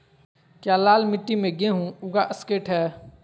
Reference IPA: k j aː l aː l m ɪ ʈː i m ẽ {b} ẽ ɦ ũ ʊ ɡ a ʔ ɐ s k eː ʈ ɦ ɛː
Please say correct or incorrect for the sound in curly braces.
incorrect